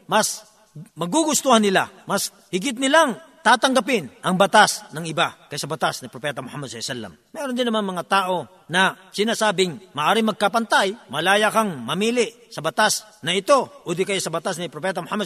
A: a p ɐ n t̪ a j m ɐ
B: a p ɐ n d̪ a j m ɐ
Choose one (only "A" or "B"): A